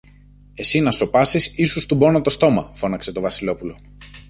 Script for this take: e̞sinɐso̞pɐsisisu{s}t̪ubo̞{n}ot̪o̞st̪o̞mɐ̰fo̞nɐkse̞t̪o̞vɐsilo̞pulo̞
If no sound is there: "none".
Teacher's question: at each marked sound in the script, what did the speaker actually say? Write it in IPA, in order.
s, n

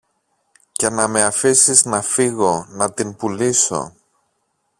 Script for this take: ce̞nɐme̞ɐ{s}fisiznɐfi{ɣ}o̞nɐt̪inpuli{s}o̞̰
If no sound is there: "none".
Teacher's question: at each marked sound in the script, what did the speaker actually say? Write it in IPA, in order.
none, ɣ, s

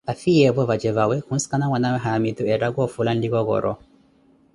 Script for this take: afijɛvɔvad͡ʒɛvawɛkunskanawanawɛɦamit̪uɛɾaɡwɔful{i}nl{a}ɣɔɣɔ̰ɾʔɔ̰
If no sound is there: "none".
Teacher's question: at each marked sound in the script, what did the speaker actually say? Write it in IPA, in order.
a, i

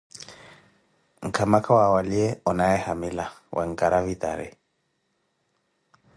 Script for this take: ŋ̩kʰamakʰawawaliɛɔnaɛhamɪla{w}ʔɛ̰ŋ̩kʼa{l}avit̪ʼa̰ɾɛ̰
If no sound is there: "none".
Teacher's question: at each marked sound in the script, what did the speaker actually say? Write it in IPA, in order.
w, ɾ

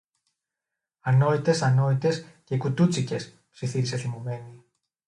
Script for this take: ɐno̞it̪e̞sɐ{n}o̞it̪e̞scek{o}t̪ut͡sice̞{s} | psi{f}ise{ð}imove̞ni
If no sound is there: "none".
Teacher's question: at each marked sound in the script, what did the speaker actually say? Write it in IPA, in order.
n, u, s, θ, θ

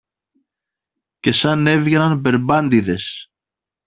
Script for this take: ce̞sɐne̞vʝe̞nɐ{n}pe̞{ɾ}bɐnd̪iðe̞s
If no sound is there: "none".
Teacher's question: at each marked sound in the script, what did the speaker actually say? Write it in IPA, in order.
n, ɾ

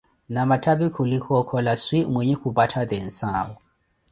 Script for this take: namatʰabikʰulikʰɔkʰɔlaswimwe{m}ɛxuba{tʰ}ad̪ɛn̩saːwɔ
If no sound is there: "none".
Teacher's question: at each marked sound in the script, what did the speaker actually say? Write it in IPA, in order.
ɲ, tʰ

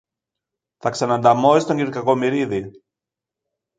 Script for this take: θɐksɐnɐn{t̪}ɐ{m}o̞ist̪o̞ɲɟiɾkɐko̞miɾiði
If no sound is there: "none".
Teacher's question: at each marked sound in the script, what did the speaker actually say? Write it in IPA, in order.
d̪, m

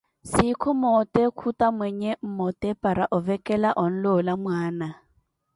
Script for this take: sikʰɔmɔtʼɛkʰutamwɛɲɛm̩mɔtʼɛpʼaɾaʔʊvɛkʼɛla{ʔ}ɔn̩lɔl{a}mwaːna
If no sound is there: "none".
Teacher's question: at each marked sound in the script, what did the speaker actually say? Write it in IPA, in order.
ʔ, a

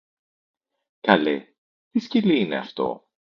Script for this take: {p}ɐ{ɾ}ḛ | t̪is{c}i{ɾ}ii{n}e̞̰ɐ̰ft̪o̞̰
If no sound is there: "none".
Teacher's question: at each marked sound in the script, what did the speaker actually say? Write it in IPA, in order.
k, l, c, l, n

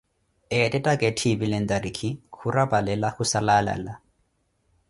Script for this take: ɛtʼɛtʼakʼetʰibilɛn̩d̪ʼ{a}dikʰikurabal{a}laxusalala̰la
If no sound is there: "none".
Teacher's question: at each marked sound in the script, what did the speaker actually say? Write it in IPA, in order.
a, ɛ

